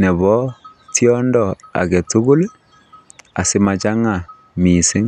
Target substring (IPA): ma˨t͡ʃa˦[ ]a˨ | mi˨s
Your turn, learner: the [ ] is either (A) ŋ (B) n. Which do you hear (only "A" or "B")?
A